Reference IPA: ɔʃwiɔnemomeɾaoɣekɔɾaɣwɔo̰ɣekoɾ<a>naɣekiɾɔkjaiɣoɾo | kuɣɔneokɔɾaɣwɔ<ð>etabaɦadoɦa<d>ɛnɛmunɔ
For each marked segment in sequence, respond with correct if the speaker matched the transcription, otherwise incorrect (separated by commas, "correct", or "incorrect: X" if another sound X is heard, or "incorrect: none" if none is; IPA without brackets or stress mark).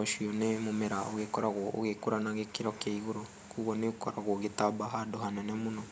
correct, incorrect: ɣ, incorrect: n